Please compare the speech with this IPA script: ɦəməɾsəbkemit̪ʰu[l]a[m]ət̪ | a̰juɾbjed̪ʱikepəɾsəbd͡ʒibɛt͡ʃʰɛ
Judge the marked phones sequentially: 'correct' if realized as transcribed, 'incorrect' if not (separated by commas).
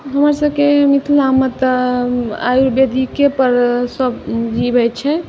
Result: correct, correct